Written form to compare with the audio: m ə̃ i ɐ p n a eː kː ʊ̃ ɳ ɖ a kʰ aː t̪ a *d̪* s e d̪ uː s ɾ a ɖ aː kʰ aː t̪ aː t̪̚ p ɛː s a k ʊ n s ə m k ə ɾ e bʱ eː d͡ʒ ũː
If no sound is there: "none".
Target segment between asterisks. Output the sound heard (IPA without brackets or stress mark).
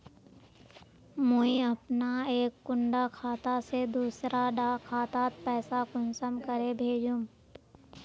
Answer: none